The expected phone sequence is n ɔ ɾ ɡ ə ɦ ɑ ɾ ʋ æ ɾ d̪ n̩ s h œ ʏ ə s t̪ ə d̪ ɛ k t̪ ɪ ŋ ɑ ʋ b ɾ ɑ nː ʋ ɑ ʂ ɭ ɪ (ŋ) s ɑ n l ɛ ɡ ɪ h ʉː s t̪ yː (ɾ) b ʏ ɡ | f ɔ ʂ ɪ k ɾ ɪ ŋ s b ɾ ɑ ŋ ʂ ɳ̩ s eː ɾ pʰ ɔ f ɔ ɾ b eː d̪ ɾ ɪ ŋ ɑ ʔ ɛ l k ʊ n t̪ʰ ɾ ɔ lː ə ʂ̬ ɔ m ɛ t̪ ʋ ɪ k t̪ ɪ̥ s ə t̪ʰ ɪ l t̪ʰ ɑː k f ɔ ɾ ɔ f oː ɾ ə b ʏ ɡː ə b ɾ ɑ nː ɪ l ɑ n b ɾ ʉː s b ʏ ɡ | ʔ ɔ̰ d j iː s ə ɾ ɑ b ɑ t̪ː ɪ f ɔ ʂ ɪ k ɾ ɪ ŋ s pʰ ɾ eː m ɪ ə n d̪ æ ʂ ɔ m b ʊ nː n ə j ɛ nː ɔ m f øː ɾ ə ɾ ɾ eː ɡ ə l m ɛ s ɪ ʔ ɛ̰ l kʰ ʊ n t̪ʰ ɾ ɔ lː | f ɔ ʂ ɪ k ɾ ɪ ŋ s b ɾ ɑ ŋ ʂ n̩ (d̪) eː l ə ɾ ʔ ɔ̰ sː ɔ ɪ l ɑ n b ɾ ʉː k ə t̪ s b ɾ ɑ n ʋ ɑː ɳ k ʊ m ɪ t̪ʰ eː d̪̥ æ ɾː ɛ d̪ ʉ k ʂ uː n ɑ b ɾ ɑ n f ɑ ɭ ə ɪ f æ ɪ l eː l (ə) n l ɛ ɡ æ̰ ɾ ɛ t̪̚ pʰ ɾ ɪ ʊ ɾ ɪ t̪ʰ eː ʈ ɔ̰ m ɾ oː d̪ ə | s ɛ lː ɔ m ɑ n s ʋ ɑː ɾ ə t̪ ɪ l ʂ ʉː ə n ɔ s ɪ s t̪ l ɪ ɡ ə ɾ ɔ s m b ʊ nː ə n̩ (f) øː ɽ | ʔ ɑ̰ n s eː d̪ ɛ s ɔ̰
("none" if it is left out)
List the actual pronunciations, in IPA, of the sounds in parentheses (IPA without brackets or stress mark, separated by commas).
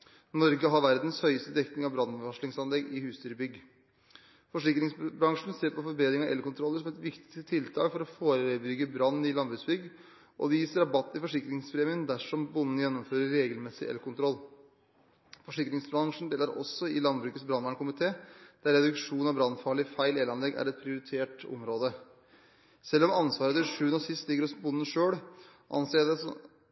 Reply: ŋ, ɾ, d̪, ɑ, ʂ